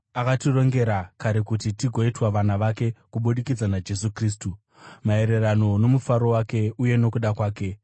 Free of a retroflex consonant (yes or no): yes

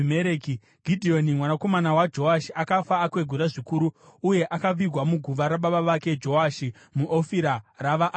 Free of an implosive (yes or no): no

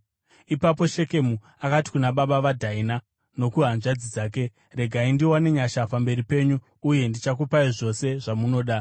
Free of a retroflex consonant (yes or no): no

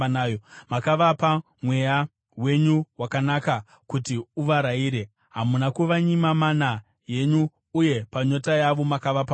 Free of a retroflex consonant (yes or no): yes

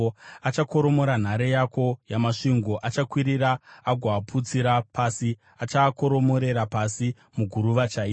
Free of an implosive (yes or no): yes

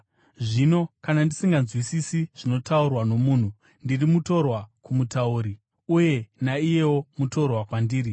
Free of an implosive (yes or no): yes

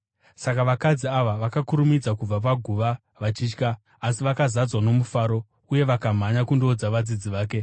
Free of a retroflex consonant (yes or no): yes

